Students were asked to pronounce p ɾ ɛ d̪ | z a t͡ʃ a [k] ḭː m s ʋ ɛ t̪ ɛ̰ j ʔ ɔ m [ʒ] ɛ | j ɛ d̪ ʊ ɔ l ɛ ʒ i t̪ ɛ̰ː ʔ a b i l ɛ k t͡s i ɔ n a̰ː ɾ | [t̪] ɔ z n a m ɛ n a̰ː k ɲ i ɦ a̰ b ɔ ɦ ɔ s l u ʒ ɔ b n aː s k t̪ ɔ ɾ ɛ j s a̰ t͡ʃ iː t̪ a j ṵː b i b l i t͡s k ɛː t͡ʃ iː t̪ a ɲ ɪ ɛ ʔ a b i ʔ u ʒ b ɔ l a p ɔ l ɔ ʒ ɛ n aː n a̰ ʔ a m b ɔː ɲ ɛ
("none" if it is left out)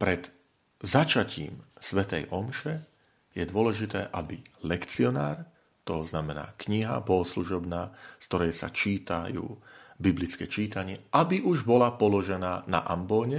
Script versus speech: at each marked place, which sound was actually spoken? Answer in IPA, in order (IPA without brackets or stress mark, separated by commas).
c, ʃ, t̪